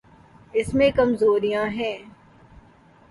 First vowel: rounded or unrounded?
unrounded